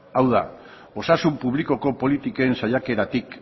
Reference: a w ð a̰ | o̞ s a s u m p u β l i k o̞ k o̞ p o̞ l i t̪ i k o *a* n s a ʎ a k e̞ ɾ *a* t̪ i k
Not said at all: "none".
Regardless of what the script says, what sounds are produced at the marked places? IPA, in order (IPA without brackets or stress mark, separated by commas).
e, a